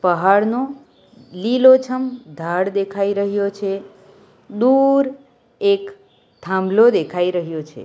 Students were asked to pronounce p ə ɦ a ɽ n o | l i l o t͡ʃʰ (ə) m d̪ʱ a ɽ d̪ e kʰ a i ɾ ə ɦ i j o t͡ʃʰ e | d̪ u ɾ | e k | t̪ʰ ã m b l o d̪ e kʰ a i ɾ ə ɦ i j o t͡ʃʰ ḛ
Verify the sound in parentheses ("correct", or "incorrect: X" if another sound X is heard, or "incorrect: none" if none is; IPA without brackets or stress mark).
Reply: correct